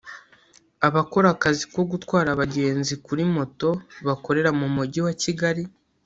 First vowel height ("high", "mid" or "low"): low